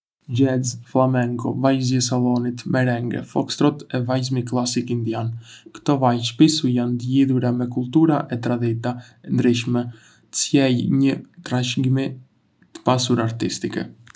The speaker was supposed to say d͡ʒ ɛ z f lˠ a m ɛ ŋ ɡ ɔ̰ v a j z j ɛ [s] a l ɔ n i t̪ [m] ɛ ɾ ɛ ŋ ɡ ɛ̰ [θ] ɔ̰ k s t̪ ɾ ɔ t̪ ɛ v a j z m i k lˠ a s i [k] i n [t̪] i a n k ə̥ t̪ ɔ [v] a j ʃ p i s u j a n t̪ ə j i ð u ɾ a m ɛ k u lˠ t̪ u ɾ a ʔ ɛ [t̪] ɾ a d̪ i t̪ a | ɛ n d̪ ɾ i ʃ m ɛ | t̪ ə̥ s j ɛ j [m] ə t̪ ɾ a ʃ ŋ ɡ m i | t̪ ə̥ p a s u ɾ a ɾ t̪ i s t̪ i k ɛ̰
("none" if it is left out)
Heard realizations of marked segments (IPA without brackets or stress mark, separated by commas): s, m, f, k, d̪, v, t̪, ɲ